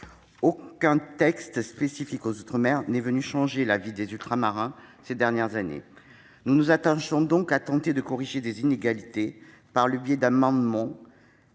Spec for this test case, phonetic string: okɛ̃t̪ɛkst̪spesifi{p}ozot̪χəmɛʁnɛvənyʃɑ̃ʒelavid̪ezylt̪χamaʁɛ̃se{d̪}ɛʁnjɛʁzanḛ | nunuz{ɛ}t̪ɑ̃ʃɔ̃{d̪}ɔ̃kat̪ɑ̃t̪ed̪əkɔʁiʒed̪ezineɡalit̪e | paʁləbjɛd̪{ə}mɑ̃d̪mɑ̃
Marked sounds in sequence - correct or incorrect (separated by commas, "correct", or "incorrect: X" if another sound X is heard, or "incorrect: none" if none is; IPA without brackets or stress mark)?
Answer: incorrect: k, correct, incorrect: a, correct, incorrect: a